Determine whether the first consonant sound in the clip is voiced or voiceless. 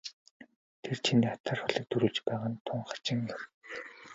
voiceless